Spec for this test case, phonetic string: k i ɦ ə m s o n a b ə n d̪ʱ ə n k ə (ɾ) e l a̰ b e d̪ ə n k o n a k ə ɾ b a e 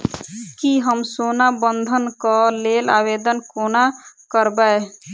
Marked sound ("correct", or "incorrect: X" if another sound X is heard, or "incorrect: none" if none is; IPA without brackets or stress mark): incorrect: l